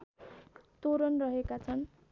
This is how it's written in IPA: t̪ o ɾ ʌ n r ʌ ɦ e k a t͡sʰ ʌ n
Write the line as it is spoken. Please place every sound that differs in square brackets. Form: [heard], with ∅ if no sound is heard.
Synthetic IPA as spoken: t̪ o ɾ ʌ n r ʌ ɦ e k a t͡sʰ ʌ n